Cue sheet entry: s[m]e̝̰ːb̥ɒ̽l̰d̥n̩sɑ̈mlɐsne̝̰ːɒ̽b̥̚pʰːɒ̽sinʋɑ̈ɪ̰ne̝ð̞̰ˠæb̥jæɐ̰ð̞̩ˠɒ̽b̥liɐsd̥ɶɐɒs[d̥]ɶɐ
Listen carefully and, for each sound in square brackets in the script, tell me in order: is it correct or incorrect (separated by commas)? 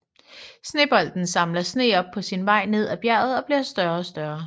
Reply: incorrect, correct